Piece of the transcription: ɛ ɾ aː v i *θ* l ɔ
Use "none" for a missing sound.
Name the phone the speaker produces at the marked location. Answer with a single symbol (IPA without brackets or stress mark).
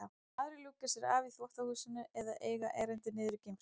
θ